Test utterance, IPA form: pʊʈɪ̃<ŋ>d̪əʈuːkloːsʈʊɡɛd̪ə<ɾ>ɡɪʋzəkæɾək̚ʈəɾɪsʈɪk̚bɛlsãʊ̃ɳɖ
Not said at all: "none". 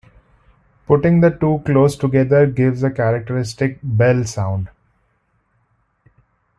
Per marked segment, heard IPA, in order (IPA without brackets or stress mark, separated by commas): ŋ, ɾ